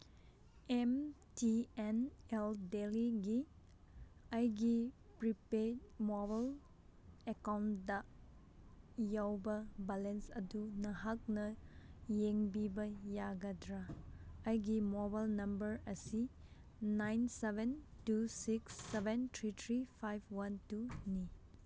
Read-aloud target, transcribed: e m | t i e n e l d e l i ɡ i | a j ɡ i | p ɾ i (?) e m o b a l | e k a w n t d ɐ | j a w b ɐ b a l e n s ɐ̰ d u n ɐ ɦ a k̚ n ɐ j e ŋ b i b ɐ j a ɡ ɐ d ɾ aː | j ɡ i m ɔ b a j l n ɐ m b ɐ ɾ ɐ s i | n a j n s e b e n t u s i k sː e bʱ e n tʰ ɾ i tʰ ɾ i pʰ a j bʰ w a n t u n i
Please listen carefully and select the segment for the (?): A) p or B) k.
A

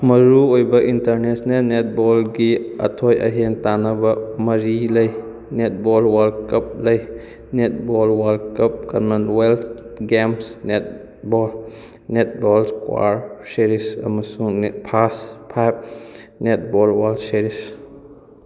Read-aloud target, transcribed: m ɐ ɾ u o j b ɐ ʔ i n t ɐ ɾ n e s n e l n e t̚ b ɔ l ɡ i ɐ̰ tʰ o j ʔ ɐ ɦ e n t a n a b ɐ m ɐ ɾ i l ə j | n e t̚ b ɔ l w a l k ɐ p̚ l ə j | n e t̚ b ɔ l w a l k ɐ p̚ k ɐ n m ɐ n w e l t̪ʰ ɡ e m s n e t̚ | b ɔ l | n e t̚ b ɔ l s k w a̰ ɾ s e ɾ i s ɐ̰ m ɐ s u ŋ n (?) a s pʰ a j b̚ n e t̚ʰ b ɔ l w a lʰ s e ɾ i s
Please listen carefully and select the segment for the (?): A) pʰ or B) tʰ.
A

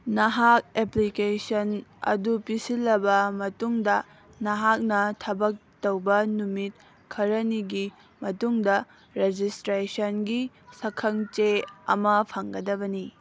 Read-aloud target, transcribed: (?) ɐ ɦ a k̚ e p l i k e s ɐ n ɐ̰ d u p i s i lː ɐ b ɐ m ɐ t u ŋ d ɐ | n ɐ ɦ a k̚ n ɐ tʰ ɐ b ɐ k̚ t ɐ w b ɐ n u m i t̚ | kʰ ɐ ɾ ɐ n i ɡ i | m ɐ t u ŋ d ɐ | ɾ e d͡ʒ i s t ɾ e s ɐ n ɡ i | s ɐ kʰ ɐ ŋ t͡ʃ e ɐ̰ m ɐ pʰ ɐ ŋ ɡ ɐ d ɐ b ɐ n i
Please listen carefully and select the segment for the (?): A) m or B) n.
B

